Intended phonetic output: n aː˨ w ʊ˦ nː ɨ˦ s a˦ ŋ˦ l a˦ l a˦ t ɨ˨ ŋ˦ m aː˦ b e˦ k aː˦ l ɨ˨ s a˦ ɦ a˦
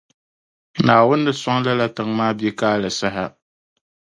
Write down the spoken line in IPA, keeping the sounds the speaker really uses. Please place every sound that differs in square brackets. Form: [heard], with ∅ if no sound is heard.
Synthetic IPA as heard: n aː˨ w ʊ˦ nː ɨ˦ s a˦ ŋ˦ l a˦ l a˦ t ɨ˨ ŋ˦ m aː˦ b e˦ k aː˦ l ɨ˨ s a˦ ɦ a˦